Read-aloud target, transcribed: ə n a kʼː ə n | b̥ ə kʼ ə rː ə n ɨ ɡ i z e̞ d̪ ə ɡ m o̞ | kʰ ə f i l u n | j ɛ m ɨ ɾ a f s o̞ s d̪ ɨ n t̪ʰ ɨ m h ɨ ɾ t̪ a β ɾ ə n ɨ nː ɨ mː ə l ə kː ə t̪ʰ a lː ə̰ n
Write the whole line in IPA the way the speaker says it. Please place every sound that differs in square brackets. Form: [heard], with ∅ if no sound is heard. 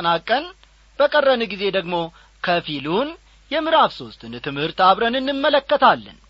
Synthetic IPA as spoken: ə n a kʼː ə n | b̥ ə kʼ ə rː ə n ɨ ɡ i z e̞ d̪ ə ɡ m o̞ | kʰ ə f i l u n | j ɛ m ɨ ɾ a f s o̞ s [t̪] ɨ n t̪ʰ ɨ m h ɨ ɾ t̪ a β ɾ ə n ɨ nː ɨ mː ə l ə kː ə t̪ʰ a lː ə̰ n